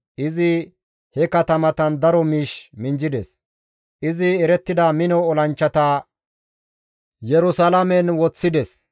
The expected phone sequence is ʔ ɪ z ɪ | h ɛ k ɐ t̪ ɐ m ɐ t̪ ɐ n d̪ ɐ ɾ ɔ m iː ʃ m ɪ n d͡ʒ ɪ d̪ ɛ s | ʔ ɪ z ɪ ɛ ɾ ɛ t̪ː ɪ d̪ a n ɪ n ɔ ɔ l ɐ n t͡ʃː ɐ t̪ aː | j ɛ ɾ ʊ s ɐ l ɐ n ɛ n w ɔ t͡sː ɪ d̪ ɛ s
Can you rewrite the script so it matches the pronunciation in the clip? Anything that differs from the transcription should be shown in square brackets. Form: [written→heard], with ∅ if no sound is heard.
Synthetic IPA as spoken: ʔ ɪ z ɪ | h ɛ k ɐ t̪ ɐ m ɐ t̪ ɐ n d̪ ɐ ɾ ɔ m iː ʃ m ɪ n d͡ʒ ɪ d̪ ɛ s | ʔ ɪ z ɪ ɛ ɾ ɛ t̪ː ɪ d̪ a [n→m] ɪ n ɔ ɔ l ɐ n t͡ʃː ɐ t̪ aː | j ɛ ɾ ʊ s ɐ l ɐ [n→m] ɛ n w ɔ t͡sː ɪ d̪ ɛ s